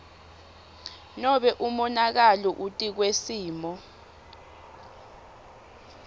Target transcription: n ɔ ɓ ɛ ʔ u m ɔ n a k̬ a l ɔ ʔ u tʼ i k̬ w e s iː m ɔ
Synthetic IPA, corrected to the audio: n ɔ ɓ ɛ ʔ u m ɔ n a k̬ a l ɔ ʔ u tʼ i k̬ w e s iː m ɔ